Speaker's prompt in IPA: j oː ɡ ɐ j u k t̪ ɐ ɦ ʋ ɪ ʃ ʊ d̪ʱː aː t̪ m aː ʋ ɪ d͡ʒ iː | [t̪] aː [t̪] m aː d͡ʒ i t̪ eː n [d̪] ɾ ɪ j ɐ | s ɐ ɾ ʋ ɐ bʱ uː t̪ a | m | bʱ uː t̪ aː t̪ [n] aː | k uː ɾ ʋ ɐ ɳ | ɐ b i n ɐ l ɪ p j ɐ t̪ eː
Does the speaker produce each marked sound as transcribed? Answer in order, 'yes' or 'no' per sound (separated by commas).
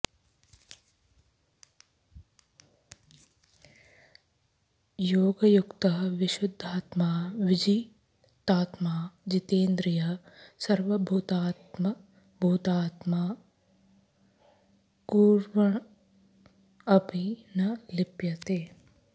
yes, yes, yes, no